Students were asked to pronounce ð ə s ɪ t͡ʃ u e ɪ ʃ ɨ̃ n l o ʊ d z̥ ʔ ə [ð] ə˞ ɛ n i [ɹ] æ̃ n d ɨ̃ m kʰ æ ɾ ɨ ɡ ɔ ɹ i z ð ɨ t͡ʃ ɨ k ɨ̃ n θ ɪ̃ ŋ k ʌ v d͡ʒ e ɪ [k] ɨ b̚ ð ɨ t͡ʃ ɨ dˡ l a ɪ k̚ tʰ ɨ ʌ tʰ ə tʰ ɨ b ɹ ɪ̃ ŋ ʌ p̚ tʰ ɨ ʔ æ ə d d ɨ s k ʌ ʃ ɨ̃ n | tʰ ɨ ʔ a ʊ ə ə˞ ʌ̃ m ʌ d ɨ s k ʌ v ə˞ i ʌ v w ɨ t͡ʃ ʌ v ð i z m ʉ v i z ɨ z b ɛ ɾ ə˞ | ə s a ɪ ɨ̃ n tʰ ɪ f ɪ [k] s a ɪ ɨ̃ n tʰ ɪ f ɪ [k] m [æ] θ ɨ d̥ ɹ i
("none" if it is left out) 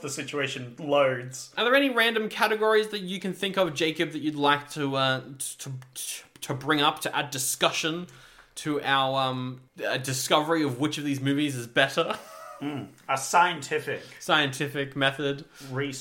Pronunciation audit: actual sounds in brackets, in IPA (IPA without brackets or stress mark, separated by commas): ð, ɹ, k, k, k, ɛ